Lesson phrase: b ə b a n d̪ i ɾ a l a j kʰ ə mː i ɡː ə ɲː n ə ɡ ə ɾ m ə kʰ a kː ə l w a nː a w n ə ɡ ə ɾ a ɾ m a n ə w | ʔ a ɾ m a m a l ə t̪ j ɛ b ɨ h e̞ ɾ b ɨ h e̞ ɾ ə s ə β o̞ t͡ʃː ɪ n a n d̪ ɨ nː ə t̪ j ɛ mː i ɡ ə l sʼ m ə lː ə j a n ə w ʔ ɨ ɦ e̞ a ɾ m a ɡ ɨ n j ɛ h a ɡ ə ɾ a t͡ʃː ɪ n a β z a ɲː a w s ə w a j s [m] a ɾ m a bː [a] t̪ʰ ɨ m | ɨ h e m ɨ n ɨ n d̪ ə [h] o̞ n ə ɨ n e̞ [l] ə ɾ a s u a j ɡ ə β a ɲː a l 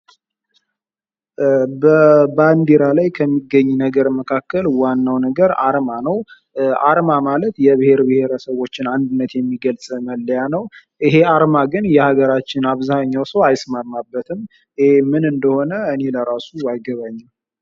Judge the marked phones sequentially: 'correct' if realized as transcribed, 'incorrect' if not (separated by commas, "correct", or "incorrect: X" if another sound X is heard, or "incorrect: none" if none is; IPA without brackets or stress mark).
correct, incorrect: ə, correct, correct